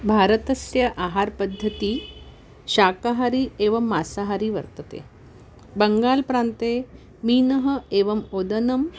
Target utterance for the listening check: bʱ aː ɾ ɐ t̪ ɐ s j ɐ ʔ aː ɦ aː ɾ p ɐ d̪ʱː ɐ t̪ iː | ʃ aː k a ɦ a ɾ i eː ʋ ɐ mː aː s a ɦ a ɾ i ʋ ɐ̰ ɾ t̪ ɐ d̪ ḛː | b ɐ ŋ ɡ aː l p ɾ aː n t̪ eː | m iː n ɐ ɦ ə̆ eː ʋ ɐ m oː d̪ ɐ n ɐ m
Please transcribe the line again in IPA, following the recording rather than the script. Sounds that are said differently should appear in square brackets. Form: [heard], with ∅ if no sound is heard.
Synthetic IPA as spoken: bʱ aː ɾ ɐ t̪ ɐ s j ɐ ʔ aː ɦ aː ɾ p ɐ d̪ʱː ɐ t̪ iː | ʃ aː k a ɦ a ɾ i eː ʋ ɐ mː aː s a ɦ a ɾ i ʋ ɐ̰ ɾ t̪ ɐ [t̪] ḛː | b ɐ ŋ ɡ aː l p ɾ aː n t̪ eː | m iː n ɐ ɦ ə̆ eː ʋ ɐ m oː d̪ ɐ n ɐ m

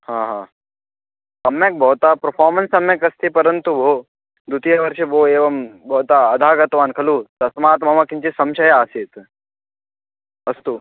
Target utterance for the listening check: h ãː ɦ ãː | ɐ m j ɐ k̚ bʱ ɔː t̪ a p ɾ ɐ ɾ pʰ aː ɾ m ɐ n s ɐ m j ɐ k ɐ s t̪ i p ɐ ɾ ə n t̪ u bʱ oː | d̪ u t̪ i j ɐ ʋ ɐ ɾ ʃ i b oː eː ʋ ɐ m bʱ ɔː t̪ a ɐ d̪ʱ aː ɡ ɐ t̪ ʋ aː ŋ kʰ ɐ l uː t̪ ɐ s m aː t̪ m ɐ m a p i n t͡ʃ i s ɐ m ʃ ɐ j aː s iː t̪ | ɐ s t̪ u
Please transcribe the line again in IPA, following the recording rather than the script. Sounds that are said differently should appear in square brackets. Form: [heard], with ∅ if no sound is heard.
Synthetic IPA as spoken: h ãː ɦ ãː | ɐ m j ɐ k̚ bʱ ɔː t̪ a p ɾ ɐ ɾ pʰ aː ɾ m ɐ n s ɐ m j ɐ k ɐ s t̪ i p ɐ ɾ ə n t̪ u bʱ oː | d̪ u t̪ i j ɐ ʋ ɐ ɾ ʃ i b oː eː ʋ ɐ m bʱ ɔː t̪ a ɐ d̪ʱ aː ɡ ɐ t̪ ʋ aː [n] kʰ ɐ l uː t̪ ɐ s m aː t̪ m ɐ m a [k] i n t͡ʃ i s ɐ m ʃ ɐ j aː s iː t̪ | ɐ s t̪ u

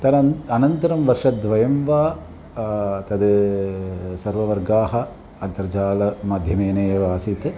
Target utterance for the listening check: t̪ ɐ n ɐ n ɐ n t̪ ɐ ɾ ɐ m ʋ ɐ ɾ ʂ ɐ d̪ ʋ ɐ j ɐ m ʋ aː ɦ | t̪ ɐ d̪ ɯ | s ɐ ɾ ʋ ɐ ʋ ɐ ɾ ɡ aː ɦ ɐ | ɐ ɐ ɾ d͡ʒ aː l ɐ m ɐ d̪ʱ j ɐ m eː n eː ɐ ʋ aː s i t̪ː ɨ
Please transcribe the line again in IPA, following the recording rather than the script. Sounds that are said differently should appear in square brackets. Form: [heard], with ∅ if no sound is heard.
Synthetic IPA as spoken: t̪ ɐ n ɐ n ɐ n t̪ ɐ ɾ ɐ m ʋ ɐ ɾ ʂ ɐ d̪ ʋ ɐ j ɐ m ʋ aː [∅] | t̪ ɐ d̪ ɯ | s ɐ ɾ ʋ ɐ ʋ ɐ ɾ ɡ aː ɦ ɐ | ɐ ɐ ɾ d͡ʒ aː l ɐ m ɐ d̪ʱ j ɐ m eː n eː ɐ ʋ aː s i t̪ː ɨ

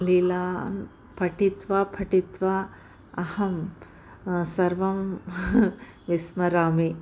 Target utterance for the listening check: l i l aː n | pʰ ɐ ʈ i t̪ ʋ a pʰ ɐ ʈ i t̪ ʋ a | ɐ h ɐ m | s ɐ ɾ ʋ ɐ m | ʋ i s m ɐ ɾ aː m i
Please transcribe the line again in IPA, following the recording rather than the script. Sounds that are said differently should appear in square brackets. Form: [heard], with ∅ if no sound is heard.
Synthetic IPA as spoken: l i l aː n | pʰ ɐ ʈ i t̪ ʋ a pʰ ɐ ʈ i t̪ ʋ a | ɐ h ɐ m | s ɐ ɾ ʋ ɐ m | ʋ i s m ɐ ɾ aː m i

